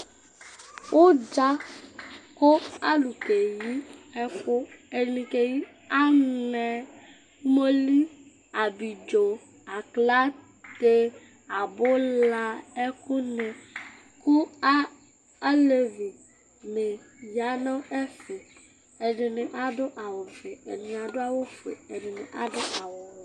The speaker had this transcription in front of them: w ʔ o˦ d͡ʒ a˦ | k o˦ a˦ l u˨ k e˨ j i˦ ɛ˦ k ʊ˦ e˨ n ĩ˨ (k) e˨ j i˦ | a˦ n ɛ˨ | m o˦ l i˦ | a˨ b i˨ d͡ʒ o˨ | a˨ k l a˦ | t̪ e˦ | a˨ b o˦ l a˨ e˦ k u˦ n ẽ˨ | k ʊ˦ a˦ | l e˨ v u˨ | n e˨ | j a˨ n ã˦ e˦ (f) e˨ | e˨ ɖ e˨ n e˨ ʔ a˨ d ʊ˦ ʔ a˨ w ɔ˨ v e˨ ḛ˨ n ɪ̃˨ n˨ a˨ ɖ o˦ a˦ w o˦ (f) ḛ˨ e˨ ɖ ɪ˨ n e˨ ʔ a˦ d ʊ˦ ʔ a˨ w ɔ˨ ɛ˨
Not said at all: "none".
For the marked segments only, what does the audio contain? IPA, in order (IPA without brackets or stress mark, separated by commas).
k, f, f